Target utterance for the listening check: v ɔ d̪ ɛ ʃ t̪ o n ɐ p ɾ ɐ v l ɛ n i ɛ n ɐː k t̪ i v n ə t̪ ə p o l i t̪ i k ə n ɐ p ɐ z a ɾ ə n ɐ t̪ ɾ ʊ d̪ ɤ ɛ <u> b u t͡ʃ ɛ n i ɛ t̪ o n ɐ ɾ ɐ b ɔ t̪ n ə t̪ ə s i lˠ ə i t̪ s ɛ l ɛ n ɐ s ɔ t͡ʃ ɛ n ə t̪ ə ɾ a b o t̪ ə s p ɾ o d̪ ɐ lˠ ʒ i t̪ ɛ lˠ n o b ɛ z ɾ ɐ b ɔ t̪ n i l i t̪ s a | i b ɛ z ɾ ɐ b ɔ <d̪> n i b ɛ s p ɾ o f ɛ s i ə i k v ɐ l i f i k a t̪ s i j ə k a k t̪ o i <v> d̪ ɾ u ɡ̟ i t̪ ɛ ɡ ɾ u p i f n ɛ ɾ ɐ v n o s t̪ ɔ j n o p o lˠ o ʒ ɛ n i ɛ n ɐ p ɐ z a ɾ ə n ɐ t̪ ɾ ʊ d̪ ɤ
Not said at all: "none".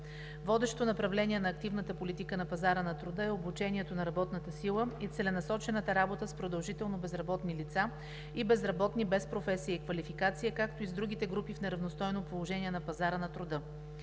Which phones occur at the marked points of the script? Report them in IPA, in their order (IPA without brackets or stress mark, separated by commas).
o, t̪, z